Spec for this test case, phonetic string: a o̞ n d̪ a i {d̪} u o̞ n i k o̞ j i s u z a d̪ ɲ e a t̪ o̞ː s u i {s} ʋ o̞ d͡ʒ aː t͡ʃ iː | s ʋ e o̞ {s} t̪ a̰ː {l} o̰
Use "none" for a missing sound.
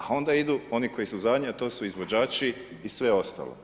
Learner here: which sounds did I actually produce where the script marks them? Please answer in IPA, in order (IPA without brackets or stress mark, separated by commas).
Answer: d̪, z, s, l